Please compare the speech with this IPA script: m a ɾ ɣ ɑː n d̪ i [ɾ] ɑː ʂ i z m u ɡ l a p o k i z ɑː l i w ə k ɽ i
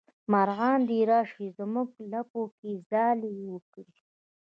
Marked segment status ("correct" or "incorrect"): correct